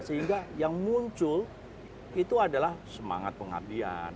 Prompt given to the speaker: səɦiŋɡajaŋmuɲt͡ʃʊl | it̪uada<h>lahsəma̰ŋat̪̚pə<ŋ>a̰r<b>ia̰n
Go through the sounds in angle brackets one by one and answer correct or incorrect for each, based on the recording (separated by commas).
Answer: incorrect, correct, incorrect